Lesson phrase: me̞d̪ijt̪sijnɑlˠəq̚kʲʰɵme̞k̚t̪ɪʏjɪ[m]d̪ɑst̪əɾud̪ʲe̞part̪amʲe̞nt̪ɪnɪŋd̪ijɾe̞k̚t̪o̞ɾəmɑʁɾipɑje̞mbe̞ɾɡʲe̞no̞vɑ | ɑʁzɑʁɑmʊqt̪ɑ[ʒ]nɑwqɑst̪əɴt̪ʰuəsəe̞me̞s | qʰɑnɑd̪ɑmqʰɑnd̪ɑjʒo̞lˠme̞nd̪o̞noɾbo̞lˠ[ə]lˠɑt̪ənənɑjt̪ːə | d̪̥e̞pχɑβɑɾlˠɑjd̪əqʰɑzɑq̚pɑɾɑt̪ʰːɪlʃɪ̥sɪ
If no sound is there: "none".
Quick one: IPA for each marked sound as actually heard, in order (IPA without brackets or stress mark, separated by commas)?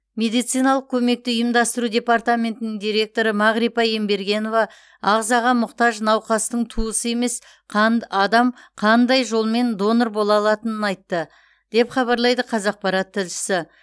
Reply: m, ʒ, ɑ